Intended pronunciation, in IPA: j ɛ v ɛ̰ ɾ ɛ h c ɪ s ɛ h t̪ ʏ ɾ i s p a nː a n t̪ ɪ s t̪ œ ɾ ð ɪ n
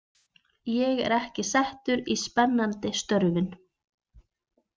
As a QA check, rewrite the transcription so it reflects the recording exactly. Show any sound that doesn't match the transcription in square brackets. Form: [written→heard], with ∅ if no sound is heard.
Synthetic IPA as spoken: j ɛ [v→ɣ] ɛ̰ ɾ ɛ h c ɪ s ɛ h t̪ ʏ ɾ i s p [a→ɛ] nː a n t̪ ɪ s t̪ œ ɾ [ð→v] ɪ n